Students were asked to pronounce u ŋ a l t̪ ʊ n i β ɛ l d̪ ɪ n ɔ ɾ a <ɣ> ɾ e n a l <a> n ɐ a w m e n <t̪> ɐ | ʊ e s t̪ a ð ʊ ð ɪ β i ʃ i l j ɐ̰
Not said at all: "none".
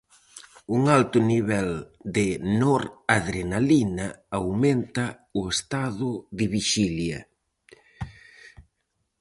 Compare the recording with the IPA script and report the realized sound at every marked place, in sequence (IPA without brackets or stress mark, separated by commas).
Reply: ð, i, t̪